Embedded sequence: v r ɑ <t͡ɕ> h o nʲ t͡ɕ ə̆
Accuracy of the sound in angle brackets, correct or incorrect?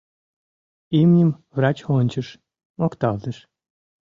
correct